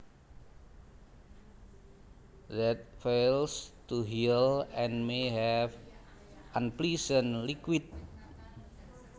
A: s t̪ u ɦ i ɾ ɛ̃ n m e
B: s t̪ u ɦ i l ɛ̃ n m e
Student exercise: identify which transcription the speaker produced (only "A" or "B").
B